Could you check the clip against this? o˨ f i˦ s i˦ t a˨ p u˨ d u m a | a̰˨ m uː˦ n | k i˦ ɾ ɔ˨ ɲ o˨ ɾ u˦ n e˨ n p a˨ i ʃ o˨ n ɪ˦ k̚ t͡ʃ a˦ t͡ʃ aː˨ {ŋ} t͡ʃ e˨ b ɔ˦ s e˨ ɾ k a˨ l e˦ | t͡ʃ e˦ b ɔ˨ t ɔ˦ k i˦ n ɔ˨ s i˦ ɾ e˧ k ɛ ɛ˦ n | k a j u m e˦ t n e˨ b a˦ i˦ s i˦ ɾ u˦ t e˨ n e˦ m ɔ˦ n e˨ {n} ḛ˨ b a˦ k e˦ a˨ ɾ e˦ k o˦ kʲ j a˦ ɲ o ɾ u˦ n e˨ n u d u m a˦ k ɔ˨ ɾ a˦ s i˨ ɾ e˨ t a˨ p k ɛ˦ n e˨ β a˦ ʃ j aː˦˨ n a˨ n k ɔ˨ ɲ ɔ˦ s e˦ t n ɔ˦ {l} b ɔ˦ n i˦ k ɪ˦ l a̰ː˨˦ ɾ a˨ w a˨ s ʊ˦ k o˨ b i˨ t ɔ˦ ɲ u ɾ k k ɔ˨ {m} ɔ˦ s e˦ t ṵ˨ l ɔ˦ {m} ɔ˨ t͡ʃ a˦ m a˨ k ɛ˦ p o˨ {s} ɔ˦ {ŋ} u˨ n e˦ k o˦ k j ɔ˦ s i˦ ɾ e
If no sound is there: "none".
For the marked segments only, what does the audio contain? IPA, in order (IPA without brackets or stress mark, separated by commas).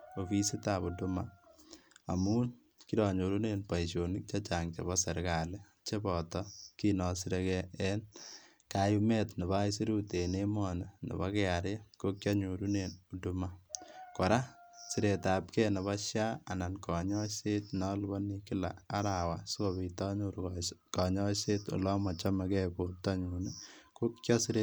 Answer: ŋ, n, l, ɲ, m, t, ɲ